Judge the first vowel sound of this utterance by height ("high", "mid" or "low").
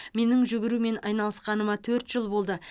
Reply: mid